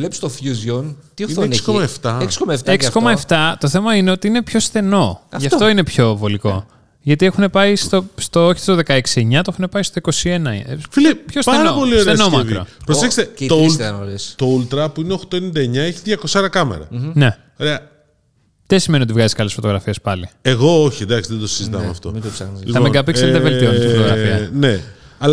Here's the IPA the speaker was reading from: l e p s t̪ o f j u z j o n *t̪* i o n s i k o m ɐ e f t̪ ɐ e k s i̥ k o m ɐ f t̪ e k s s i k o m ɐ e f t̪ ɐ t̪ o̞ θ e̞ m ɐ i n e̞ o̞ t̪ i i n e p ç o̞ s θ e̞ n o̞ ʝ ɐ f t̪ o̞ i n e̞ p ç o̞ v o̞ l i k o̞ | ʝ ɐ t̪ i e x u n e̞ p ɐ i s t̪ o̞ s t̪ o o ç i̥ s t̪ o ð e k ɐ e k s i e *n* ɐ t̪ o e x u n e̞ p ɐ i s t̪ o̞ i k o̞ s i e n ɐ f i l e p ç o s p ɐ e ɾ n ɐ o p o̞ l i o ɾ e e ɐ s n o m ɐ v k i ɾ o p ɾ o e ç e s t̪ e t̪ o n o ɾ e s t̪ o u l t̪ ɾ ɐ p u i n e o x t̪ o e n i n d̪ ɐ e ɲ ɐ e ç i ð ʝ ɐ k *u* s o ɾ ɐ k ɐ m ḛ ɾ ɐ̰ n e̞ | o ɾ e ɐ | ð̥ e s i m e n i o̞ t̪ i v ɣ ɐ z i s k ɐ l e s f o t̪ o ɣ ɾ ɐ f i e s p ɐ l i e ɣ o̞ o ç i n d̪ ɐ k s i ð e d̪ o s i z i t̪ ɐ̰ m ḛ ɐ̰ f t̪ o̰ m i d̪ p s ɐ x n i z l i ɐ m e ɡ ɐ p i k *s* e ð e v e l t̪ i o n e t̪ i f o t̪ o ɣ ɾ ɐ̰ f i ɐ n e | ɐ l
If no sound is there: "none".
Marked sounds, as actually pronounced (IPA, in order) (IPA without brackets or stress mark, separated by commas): t̪, ɲ, o, s